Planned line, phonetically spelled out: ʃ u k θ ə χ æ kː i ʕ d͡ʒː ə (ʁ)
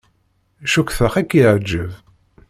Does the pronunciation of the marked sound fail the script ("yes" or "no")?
yes